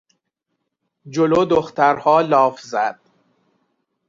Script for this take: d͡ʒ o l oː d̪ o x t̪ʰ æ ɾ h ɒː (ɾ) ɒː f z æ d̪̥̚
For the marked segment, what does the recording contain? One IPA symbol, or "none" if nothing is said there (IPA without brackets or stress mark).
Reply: l